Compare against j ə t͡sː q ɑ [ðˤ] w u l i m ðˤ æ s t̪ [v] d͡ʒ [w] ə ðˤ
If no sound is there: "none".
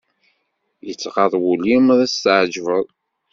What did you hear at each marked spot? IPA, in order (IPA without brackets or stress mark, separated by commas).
ðˤ, ʕ, v